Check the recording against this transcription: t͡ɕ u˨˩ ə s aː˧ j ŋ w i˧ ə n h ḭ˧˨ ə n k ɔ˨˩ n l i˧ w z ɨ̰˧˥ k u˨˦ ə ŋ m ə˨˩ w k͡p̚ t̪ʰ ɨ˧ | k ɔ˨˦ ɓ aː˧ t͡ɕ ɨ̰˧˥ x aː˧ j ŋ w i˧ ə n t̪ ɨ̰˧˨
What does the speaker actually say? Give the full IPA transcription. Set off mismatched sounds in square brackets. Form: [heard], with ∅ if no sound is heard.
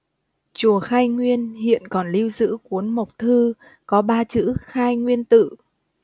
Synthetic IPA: t͡ɕ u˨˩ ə [x] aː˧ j ŋ w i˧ ə n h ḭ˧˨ ə n k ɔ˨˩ n l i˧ w z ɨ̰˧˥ k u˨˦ ə [n] m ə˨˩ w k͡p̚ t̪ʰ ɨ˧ | k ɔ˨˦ ɓ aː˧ t͡ɕ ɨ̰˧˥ x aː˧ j ŋ w i˧ ə n t̪ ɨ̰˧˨